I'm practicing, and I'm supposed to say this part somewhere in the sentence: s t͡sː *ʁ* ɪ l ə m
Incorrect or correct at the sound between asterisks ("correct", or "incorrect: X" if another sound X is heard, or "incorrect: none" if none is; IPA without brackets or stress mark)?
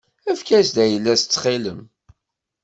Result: incorrect: χ